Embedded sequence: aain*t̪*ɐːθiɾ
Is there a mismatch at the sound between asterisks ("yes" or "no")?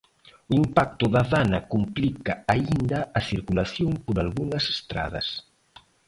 yes